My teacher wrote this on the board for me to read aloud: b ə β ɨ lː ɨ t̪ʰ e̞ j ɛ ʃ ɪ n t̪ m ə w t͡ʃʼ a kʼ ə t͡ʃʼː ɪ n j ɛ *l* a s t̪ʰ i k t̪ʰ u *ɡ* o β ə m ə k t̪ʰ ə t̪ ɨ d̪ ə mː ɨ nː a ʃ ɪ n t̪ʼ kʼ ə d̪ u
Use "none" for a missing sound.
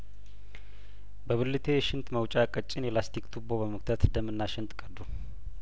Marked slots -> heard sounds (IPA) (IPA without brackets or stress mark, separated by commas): l, b